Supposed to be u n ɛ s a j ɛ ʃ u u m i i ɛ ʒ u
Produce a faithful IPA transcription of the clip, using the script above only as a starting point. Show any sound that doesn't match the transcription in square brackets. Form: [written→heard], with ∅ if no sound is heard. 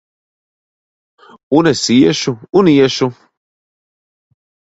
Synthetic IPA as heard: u n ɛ s [a→i] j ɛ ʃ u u [m→n] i [i→j] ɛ [ʒ→ʃ] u

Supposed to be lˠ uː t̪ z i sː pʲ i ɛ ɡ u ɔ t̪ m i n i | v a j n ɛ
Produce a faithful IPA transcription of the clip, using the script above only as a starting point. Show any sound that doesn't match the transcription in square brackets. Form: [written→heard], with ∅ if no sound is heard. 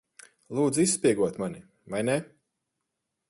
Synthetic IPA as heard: lˠ uː [t̪→d̪] z i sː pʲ i ɛ ɡ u ɔ t̪ m [i→a] n i | v a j n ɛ

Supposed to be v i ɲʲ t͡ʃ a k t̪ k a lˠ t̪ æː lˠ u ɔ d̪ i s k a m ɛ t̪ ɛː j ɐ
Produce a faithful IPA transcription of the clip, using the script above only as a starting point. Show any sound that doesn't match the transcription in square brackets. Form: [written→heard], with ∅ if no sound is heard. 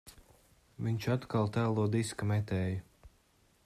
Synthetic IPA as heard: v i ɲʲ t͡ʃ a [k→∅] t̪ k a lˠ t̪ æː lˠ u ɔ d̪ i s k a m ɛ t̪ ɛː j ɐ

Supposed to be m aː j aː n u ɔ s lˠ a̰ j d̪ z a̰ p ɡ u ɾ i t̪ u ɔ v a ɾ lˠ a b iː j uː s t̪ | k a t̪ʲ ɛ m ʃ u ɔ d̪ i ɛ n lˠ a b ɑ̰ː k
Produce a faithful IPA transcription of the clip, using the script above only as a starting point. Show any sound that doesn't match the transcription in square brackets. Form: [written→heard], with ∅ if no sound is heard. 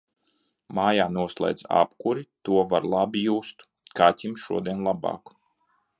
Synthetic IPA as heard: m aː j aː n u ɔ s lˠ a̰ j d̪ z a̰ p [ɡ→k] u ɾ i t̪ u ɔ v a ɾ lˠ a b [iː→i] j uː s t̪ | k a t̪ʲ [ɛ→i] m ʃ u ɔ d̪ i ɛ n lˠ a b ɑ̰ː k

